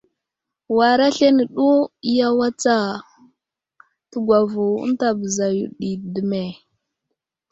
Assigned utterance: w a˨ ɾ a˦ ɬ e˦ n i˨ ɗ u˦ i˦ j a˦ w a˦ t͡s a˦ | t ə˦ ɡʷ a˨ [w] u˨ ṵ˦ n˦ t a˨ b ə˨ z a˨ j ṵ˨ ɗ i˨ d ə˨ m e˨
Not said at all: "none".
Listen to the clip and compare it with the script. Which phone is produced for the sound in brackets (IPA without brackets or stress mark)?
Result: v